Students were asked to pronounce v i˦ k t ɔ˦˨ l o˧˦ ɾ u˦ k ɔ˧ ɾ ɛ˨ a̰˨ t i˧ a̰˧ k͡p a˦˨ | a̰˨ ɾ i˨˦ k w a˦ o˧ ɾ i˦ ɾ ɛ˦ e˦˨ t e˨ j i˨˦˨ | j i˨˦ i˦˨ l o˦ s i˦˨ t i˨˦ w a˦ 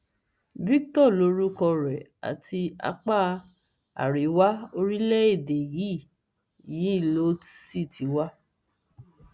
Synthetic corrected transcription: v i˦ k t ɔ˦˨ l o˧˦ ɾ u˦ k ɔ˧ ɾ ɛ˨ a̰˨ t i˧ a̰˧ k͡p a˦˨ | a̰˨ ɾ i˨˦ w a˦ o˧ ɾ i˦ l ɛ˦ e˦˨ d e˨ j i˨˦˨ | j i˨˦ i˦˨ l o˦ s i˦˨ t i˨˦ w a˦